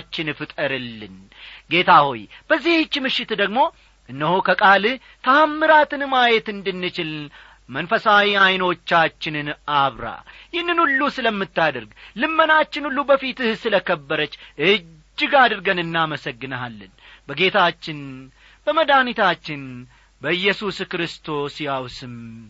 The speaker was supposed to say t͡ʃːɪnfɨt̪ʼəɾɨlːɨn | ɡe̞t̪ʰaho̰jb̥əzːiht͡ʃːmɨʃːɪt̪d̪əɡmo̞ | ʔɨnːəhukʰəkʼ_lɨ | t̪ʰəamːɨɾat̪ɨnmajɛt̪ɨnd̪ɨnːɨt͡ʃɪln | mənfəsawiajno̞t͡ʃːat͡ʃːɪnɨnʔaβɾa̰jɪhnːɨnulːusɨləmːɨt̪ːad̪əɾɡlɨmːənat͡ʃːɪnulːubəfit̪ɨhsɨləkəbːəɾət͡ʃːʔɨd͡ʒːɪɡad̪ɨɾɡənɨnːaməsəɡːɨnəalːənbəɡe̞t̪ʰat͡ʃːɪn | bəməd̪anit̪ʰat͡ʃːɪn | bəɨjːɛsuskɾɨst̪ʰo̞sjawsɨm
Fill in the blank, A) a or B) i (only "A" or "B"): A